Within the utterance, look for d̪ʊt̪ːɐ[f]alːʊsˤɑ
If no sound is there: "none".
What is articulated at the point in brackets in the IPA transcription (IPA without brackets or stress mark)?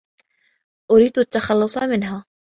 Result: x